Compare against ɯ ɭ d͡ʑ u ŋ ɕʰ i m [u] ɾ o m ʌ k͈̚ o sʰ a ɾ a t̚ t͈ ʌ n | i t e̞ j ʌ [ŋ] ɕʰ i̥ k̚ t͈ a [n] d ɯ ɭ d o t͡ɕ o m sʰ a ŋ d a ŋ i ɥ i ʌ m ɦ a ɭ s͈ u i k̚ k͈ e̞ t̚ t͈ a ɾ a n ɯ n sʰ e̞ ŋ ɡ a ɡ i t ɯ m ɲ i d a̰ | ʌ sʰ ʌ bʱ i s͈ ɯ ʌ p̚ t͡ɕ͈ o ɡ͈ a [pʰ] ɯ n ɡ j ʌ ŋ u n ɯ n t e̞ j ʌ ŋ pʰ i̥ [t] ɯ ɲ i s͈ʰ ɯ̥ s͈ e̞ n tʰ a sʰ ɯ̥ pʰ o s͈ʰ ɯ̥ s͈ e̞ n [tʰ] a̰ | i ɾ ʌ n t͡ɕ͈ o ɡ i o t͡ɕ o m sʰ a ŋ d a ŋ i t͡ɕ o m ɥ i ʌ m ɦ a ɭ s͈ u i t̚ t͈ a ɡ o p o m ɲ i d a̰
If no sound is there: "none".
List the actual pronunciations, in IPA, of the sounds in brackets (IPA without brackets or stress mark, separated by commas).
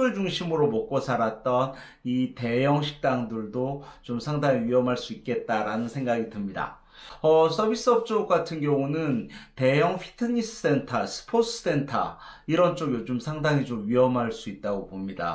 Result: ɯ, ŋ, ŋ, tʰ, tʰ, tʰ